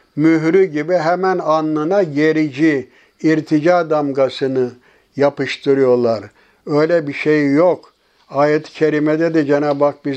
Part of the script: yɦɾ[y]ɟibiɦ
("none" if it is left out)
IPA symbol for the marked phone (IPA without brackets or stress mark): y